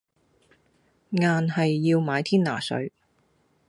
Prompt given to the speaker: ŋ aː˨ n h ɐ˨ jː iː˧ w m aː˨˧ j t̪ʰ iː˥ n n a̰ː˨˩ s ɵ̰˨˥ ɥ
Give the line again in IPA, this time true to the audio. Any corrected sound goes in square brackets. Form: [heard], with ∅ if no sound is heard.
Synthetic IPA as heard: ŋ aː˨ n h ɐ˨ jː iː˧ w m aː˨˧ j t̪ʰ iː˥ n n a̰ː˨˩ s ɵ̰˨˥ ɥ